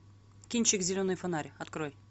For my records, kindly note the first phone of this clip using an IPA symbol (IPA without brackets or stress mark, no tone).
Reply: kʲ